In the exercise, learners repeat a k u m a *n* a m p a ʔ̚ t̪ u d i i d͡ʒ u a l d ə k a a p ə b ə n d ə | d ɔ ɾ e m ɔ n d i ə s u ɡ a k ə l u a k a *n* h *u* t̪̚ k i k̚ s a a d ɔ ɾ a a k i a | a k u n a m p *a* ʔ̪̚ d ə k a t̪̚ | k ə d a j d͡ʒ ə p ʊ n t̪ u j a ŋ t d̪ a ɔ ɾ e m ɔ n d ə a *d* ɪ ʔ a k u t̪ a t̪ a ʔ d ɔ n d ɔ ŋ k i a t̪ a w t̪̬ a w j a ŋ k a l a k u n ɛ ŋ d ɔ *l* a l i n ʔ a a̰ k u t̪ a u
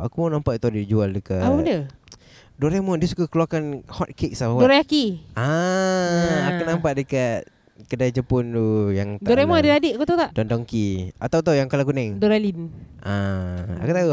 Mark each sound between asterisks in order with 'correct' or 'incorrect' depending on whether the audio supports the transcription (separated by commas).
correct, correct, incorrect, correct, correct, incorrect